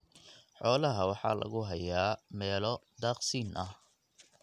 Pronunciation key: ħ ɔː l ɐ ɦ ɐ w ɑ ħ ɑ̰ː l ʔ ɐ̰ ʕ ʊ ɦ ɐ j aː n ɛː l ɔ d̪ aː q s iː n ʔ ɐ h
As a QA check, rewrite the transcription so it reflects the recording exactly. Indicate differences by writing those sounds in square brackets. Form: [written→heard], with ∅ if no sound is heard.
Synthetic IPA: ħ ɔː l ɐ ɦ ɐ w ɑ ħ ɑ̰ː l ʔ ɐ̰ [ʕ→ɣ] ʊ ɦ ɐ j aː [n→m] ɛː l ɔ d̪ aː q s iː n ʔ ɐ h